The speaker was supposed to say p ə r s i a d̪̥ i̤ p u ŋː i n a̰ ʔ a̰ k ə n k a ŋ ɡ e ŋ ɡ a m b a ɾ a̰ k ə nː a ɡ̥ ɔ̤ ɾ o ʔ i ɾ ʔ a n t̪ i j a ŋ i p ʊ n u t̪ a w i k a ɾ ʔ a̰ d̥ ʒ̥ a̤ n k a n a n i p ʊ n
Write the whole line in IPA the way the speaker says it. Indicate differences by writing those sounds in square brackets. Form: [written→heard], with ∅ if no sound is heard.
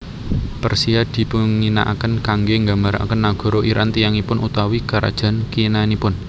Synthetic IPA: p ə r s i a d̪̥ i̤ p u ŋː i n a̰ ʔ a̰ k ə n k a ŋ ɡ e ŋ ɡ a m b a ɾ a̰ k ə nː a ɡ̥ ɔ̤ ɾ o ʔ i ɾ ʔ a n t̪ i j a ŋ i p ʊ n u t̪ a w i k a ɾ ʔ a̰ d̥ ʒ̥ a̤ n k [a→i] n a n i p ʊ n